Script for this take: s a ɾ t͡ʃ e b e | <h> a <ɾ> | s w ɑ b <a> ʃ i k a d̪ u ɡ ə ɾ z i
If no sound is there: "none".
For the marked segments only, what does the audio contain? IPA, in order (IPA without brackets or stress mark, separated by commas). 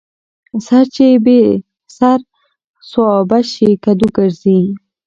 s, ɾ, a